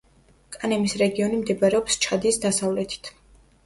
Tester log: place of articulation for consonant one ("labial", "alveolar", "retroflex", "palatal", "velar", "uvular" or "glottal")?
velar